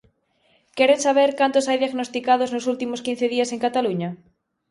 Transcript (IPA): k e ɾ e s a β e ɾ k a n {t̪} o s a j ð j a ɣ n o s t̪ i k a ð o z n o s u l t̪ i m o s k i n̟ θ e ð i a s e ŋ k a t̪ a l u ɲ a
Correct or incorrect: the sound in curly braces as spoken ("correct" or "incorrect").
correct